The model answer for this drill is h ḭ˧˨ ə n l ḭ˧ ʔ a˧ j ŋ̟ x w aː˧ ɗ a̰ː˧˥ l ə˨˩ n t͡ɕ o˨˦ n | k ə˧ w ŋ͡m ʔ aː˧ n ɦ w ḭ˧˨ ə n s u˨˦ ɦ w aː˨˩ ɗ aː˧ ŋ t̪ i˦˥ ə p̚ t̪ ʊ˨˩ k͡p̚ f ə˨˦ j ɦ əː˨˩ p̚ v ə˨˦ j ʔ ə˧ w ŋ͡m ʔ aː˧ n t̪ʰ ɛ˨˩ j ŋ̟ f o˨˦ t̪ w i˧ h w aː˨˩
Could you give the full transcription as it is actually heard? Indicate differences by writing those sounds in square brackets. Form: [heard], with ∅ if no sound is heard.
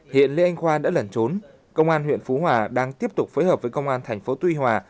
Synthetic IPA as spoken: h ḭ˧˨ ə n l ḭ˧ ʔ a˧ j ŋ̟ x w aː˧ ɗ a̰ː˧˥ l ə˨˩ n t͡ɕ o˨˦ n | k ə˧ w ŋ͡m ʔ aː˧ n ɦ w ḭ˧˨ ə n [f] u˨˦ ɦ w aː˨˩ ɗ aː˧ ŋ t̪ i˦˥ ə p̚ t̪ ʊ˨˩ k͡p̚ f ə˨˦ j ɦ əː˨˩ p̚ v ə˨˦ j [k] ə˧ w ŋ͡m ʔ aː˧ n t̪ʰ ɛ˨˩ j ŋ̟ f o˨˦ t̪ w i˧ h w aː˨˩

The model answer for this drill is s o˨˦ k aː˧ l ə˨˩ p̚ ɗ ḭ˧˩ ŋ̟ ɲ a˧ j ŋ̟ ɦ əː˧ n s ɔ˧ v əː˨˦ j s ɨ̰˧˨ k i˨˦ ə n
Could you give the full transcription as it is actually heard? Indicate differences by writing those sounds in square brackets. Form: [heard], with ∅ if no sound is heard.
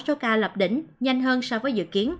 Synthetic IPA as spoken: s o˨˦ k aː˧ l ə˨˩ p̚ ɗ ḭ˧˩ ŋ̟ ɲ a˧ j ŋ̟ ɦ əː˧ n s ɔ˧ v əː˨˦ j [z] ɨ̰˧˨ k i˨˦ ə n

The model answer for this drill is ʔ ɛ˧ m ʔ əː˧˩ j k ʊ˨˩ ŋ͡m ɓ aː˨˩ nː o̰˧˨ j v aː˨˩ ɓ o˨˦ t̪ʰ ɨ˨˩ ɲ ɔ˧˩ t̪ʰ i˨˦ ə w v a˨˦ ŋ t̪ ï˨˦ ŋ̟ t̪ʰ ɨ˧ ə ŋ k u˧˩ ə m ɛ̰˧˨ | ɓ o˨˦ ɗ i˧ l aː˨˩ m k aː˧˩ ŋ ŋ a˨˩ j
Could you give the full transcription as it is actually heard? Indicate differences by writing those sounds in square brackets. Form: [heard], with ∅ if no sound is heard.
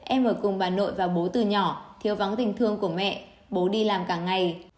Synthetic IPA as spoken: ʔ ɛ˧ m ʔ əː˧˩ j k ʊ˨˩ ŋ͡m ɓ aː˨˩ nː o̰˧˨ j v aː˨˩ ɓ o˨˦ [t̪] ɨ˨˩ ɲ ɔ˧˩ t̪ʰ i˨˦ ə w v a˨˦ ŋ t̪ [ï˨˩] ŋ̟ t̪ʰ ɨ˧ ə ŋ k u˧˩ ə m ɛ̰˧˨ | ɓ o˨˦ ɗ i˧ l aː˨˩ m k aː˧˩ ŋ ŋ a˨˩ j

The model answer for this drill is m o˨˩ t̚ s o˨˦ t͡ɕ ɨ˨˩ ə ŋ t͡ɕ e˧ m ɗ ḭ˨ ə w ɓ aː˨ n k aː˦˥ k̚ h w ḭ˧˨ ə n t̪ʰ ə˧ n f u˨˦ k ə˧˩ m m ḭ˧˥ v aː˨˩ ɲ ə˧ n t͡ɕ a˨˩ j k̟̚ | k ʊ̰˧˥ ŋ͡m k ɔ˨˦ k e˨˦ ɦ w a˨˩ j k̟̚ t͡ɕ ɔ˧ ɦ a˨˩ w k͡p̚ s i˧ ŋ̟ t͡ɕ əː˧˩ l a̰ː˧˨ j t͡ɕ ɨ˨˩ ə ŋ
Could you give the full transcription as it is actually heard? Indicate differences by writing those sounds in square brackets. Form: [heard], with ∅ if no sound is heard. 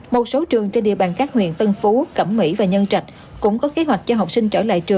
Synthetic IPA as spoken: m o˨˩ t̚ s o˨˦ t͡ɕ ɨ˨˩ ə ŋ t͡ɕ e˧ [n] ɗ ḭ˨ ə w ɓ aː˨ n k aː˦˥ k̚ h w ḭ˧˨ ə n [t̪] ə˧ n f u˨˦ k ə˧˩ m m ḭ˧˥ v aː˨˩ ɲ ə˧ n t͡ɕ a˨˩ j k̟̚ | k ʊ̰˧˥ ŋ͡m k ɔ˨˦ k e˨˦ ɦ w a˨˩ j k̟̚ t͡ɕ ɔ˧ ɦ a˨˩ w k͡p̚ s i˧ ŋ̟ t͡ɕ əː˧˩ l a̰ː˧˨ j t͡ɕ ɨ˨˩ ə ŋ

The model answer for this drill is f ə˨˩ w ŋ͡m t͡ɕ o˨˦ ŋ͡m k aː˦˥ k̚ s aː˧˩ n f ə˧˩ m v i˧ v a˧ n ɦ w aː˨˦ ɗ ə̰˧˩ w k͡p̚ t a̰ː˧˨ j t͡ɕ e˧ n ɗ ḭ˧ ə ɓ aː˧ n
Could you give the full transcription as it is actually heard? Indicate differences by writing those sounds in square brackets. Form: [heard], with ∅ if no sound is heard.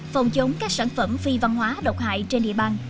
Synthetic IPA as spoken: f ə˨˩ w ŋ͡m t͡ɕ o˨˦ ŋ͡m k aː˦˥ k̚ s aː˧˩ n f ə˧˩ m [f] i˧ v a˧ n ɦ w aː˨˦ ɗ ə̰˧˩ w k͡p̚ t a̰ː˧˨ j t͡ɕ e˧ n ɗ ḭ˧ ə ɓ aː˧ n

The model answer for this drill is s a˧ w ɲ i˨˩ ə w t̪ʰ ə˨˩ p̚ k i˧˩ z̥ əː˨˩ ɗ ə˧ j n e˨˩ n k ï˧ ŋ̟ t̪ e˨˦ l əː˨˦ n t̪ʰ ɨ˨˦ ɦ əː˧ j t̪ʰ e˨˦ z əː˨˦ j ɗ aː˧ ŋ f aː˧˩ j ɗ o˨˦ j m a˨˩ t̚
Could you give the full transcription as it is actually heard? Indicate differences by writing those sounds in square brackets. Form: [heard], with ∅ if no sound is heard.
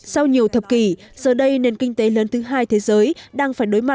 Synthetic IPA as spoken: s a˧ w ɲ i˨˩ ə w t̪ʰ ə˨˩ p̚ k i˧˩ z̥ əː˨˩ ɗ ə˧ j n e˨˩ n k ï˧ ŋ̟ t̪ e˨˦ l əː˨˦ n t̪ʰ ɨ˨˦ ɦ [aː˧] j t̪ʰ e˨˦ z əː˨˦ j ɗ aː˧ ŋ f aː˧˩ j ɗ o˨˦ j m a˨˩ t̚

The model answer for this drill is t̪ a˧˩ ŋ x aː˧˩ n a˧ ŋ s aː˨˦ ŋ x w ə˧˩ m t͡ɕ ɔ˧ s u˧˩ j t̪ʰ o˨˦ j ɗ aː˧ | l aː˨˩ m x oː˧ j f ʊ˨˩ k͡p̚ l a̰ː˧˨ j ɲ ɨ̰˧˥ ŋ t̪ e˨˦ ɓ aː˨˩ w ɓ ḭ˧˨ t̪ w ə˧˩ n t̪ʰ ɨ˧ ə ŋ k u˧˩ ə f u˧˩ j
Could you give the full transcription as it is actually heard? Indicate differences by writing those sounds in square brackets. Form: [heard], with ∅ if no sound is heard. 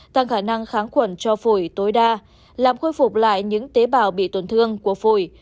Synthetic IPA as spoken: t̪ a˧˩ ŋ x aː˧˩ n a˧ ŋ [x] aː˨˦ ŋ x w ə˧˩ [n] t͡ɕ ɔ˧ [f] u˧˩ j [t̪] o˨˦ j ɗ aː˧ | l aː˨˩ m x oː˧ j f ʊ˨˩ k͡p̚ l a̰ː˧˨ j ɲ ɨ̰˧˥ ŋ t̪ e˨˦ ɓ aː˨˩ w ɓ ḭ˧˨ t̪ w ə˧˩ n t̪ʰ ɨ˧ ə ŋ k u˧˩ ə f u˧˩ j

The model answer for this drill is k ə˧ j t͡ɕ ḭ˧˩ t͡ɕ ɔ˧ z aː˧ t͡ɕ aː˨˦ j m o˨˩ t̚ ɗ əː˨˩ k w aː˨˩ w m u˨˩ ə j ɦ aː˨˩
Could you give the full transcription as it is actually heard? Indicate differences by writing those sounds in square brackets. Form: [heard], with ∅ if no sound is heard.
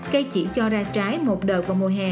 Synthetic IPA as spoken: k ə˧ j t͡ɕ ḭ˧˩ t͡ɕ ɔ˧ z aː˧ t͡ɕ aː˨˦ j m o˨˩ t̚ ɗ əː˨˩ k [v] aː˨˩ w m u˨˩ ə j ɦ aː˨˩

